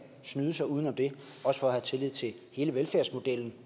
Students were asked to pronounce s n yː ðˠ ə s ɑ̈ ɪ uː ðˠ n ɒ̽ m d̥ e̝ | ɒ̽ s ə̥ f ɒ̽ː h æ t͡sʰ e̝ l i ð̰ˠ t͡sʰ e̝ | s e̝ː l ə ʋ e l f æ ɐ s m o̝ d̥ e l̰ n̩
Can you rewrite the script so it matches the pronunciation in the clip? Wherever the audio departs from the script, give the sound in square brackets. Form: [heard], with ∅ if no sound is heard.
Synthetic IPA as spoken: s n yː ðˠ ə s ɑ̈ ɪ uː ðˠ n ɒ̽ m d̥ e̝ | ɒ̽ s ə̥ f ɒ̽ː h æ t͡sʰ e̝ l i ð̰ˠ t͡sʰ e̝ | [h] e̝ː l ə ʋ e l f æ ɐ s m o̝ d̥ e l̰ n̩